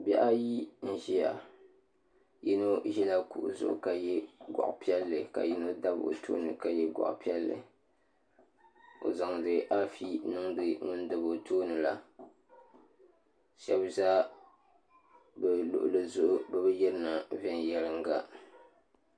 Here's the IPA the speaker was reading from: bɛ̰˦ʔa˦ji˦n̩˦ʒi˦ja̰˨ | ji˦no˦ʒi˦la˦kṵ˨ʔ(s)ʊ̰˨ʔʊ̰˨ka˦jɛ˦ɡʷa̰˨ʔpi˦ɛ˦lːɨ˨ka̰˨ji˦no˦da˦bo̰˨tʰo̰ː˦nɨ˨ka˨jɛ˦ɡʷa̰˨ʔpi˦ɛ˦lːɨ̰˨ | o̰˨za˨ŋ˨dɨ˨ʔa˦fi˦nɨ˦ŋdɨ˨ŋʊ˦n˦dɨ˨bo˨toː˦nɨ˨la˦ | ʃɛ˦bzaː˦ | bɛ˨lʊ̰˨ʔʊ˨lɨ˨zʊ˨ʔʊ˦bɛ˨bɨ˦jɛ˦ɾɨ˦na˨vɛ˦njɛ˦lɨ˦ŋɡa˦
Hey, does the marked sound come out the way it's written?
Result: no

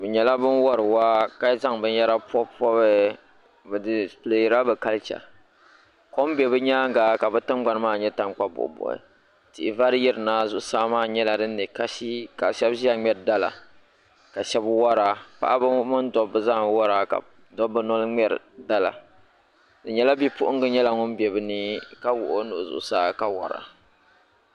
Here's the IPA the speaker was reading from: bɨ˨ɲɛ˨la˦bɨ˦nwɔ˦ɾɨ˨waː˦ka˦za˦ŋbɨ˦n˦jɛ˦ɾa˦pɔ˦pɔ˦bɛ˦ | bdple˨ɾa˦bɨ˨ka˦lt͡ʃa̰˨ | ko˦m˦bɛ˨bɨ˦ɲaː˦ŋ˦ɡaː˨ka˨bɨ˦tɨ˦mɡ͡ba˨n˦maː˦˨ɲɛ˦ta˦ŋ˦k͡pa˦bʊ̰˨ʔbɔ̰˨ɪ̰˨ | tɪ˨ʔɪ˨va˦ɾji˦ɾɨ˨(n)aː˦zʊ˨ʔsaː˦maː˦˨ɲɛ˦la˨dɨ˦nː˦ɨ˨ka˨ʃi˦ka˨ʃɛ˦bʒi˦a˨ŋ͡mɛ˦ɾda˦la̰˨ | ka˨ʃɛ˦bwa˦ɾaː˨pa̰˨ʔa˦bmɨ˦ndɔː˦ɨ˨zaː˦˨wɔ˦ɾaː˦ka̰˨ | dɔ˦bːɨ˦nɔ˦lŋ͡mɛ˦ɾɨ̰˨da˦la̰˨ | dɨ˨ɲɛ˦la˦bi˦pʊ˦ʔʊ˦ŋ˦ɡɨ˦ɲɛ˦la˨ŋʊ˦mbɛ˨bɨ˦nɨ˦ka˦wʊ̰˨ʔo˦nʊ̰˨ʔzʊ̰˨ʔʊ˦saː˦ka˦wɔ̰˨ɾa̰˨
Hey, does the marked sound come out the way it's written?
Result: yes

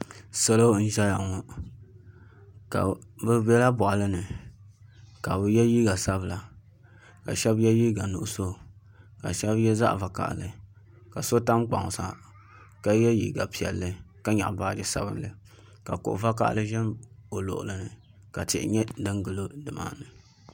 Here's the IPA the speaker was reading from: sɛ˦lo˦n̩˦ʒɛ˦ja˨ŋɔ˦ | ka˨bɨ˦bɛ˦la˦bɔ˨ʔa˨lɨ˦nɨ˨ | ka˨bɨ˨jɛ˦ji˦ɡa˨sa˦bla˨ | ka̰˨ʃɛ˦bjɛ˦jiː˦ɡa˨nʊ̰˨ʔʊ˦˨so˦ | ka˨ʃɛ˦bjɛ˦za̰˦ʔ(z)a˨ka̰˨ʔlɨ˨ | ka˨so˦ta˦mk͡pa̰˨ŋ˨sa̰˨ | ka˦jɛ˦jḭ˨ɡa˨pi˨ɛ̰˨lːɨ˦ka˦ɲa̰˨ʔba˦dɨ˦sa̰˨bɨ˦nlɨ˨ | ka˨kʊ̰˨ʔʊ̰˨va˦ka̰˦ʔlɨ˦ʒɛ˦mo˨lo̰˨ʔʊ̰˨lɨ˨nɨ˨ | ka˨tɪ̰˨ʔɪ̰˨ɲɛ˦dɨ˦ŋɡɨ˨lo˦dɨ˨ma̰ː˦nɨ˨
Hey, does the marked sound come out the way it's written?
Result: no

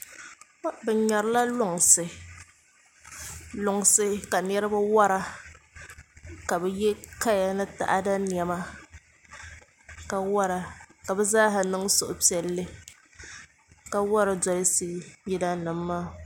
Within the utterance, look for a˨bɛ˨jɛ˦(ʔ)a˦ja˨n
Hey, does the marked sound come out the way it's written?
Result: no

